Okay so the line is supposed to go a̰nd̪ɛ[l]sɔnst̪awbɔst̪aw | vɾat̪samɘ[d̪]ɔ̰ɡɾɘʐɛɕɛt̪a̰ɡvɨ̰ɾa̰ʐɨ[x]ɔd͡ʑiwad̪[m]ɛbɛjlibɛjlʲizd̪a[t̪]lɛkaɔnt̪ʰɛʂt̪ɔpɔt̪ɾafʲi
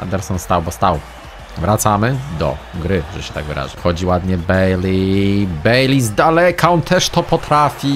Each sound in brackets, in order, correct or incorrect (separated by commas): incorrect, correct, correct, incorrect, incorrect